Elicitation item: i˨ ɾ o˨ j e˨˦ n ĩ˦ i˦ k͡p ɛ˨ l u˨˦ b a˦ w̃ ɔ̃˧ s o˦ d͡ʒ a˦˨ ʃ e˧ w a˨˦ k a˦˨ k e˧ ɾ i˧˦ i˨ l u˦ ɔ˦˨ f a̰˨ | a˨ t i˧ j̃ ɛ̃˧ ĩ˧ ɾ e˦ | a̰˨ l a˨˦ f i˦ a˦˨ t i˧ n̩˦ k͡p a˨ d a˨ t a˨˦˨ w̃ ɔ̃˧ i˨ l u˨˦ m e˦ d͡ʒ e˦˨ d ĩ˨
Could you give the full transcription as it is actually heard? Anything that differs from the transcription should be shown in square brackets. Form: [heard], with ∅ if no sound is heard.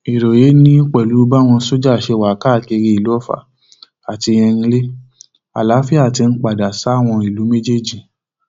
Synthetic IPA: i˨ ɾ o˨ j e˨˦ n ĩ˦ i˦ k͡p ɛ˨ l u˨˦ b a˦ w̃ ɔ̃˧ s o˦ d͡ʒ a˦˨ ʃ e˧ w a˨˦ k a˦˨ k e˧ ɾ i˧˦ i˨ l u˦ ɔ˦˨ f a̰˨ | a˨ t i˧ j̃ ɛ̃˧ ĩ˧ [l] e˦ | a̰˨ l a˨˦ f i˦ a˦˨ t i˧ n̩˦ k͡p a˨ d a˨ [s] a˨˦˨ w̃ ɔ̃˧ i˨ l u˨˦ m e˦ d͡ʒ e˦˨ [d͡ʒ] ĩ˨